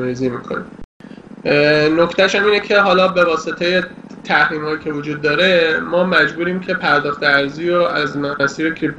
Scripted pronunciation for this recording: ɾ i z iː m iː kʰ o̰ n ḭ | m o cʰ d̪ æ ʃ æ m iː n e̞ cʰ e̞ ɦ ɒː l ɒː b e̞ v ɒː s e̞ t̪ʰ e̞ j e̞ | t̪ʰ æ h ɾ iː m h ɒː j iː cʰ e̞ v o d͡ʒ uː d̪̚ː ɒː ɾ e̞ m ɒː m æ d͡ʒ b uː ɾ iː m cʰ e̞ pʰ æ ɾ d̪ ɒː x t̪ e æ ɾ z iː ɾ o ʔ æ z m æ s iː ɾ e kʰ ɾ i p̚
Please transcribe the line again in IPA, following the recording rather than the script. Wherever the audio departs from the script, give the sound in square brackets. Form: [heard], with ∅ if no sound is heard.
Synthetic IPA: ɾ i z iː m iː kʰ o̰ n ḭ | [n] o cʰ [t̪] æ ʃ æ m iː n e̞ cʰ e̞ ɦ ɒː l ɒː b e̞ v ɒː s e̞ t̪ʰ e̞ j e̞ | t̪ʰ æ h ɾ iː m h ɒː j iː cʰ e̞ v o d͡ʒ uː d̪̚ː ɒː ɾ e̞ m ɒː m æ d͡ʒ b uː ɾ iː m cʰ e̞ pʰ æ ɾ d̪ ɒː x t̪ e æ ɾ z iː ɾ o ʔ æ z m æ s iː ɾ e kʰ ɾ i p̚